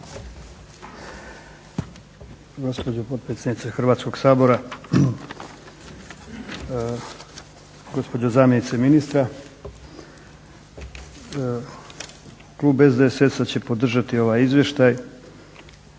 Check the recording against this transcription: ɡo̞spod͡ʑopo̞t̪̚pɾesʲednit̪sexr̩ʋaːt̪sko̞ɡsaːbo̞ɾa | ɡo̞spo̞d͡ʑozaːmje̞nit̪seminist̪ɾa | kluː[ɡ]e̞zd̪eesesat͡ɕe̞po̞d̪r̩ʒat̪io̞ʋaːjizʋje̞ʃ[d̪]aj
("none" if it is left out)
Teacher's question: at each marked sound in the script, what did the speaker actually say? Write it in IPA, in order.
b, t̪

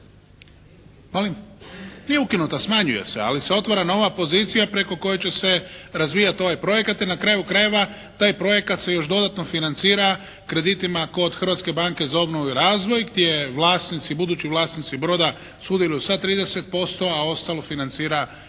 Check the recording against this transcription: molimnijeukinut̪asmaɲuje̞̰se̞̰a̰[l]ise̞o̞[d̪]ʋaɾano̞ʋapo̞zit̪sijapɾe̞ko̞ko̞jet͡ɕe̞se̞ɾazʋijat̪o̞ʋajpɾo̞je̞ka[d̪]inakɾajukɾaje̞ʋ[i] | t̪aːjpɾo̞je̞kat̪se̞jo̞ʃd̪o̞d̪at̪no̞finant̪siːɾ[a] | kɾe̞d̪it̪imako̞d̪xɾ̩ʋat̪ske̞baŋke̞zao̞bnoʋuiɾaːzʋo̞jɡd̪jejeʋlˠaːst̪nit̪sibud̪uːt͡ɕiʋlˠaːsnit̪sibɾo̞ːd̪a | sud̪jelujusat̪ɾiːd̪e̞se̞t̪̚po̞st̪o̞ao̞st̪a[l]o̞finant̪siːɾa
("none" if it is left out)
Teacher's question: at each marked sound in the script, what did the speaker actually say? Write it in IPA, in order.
l, t̪, t̪, a, a, l

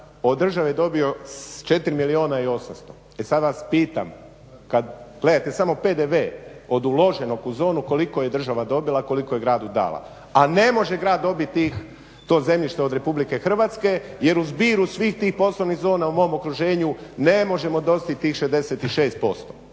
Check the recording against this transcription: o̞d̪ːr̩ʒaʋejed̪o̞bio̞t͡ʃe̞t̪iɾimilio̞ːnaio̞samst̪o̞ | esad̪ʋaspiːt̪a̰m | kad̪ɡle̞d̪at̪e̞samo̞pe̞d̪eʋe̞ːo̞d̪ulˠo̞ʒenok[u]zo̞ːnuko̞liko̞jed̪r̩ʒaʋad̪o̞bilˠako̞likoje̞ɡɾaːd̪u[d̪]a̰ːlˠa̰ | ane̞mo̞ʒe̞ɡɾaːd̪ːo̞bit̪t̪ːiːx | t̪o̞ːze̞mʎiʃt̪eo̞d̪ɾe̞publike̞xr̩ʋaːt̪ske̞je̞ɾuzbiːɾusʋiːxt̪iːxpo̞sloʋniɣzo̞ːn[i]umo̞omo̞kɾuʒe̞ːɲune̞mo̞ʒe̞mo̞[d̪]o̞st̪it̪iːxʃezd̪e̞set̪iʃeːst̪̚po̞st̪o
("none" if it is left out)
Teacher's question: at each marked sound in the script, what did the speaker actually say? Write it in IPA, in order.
u, d̪, a, d̪

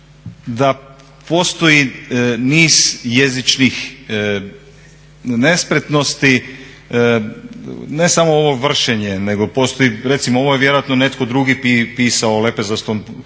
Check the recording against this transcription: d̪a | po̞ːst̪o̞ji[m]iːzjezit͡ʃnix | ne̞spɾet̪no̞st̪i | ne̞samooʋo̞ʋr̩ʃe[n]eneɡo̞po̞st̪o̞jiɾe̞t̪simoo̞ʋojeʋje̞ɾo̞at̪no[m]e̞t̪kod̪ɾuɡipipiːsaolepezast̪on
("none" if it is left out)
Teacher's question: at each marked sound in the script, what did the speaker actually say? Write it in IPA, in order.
n, ɲ, n

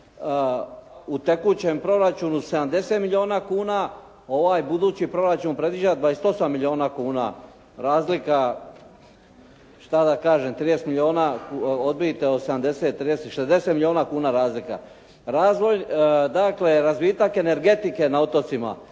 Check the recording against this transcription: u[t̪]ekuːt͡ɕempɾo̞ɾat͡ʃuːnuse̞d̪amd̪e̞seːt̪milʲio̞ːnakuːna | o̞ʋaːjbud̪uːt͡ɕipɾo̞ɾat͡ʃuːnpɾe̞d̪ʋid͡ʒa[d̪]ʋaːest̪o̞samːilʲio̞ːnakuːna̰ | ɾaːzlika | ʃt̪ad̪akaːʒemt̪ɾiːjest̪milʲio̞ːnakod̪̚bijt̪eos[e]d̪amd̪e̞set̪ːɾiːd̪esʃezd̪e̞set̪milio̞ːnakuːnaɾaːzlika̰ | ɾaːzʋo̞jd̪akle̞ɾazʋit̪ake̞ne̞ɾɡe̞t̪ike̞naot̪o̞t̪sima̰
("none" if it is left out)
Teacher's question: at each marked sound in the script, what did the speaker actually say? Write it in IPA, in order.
t̪, d̪, e

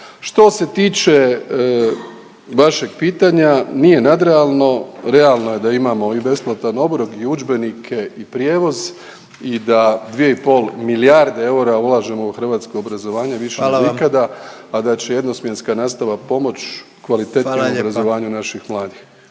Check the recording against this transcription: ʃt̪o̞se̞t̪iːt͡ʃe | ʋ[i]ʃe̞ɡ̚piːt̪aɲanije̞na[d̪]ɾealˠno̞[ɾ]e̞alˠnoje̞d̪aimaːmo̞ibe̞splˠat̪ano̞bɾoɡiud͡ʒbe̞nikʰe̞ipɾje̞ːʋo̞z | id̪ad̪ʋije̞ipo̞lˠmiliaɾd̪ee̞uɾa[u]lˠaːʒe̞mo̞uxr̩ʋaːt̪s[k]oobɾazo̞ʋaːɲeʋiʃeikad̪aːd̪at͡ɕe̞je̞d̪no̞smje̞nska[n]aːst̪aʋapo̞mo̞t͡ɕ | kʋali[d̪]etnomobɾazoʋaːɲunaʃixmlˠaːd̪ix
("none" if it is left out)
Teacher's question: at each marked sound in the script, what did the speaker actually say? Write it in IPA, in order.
a, d̪, ɾ, u, k, n, t̪

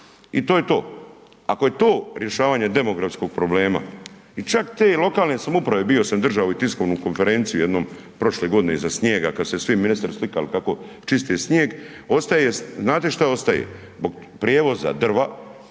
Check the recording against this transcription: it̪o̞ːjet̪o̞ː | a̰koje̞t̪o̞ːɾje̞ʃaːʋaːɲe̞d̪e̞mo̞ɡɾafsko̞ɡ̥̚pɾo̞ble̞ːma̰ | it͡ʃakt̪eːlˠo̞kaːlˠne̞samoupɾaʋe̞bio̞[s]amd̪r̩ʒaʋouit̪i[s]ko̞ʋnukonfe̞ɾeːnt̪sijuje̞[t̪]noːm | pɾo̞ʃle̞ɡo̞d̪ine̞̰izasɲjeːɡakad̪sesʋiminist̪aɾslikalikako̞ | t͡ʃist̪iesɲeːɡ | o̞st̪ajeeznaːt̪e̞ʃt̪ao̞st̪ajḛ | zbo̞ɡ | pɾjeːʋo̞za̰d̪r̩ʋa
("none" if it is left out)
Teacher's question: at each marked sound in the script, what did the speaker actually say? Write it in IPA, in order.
s, s, d̪

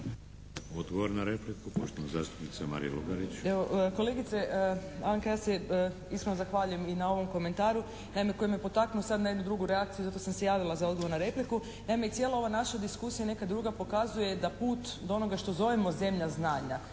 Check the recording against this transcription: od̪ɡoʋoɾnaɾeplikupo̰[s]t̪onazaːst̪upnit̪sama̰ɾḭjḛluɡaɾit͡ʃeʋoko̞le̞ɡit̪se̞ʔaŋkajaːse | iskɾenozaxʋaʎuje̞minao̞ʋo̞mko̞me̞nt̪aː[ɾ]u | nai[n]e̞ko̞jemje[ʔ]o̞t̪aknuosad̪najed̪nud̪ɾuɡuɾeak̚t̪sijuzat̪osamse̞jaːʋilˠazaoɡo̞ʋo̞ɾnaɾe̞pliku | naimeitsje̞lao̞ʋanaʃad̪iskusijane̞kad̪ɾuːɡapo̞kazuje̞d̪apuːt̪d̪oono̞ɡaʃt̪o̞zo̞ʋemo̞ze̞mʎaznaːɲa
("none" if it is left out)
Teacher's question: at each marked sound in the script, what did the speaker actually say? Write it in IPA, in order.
ʃ, ɾ, m, p

